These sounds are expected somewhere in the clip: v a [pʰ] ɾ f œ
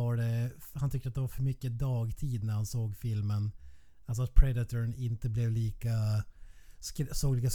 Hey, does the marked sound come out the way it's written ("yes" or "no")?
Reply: no